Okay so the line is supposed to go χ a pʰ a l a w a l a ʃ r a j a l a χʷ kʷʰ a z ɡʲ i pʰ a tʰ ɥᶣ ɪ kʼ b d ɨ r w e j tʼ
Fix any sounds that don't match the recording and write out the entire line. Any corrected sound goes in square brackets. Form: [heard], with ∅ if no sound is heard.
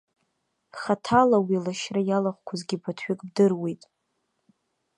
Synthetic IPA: χ a [tʰ] a l a w [i] l a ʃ r a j a l a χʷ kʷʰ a z ɡʲ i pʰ a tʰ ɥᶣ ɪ kʼ b d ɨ r w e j tʼ